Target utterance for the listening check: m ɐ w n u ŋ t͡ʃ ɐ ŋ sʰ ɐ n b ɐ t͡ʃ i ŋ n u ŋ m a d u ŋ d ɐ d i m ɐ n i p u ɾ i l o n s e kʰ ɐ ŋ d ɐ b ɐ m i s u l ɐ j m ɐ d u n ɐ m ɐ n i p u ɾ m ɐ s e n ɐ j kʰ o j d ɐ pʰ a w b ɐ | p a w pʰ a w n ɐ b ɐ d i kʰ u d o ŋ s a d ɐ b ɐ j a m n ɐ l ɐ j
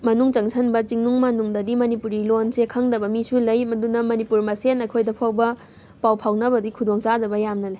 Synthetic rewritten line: m ɐ n u ŋ t͡ʃ ɐ ŋ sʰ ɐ n b ɐ t͡ʃ i ŋ n u ŋ m a n u ŋ d ɐ d i m ɐ n i p u ɾ i l o n s e kʰ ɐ ŋ d ɐ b ɐ m i s u l ɐ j m ɐ d u n ɐ m ɐ n i p u ɾ m ɐ s e n ɐ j kʰ o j d ɐ pʰ a w b ɐ | p a w pʰ a w n ɐ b ɐ d i kʰ u d o ŋ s a d ɐ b ɐ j a m n ɐ l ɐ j